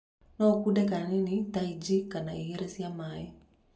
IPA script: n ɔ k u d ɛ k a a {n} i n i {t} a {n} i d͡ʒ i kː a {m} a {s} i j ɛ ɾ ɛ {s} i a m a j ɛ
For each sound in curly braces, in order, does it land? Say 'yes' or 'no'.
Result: yes, yes, no, no, no, yes

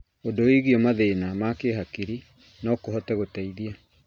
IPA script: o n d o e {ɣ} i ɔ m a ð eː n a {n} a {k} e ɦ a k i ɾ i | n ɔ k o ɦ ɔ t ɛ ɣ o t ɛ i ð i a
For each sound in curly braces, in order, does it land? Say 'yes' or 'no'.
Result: yes, no, yes

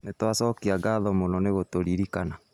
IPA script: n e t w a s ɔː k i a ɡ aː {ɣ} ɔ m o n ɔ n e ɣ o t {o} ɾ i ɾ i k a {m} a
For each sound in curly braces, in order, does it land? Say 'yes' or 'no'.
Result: no, yes, no

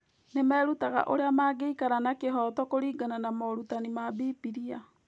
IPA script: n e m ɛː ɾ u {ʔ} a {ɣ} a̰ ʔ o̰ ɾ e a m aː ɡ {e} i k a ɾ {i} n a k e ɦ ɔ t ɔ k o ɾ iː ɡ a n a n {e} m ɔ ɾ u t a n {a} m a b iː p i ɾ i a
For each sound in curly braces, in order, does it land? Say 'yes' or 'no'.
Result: no, yes, yes, no, no, no

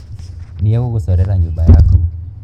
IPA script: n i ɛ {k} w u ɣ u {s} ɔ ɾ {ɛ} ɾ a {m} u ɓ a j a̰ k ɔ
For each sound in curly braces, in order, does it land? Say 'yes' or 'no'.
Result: no, yes, yes, no

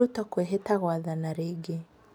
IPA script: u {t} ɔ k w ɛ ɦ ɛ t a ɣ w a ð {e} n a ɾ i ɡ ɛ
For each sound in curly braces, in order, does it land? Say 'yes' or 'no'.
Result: yes, no

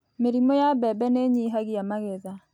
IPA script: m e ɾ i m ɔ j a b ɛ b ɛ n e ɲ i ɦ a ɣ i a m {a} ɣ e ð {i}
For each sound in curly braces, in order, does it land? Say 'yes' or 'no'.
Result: yes, no

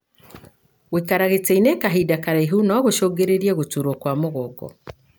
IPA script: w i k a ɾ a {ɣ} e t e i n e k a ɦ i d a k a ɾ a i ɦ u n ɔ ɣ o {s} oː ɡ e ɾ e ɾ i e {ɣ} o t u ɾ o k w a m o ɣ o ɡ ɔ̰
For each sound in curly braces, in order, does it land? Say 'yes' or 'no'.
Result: yes, no, yes

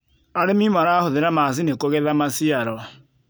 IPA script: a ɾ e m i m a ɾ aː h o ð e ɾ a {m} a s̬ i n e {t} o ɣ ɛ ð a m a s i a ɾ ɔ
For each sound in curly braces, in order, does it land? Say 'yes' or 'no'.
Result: yes, no

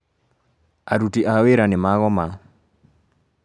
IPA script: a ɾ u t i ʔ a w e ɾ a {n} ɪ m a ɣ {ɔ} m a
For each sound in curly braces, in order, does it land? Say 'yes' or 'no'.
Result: yes, yes

